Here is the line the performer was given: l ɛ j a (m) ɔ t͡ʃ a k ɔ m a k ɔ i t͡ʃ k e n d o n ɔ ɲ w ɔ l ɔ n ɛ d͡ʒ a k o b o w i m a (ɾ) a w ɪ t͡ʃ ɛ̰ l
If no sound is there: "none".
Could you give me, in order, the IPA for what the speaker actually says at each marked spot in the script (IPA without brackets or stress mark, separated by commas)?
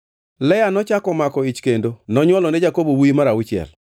n, ɾ